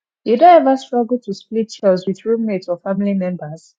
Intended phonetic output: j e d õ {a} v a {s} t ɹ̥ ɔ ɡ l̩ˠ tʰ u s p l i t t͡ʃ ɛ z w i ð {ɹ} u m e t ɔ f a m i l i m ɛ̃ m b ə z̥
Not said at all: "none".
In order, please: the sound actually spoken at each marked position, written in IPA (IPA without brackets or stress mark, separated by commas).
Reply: ɛ, s, ɹ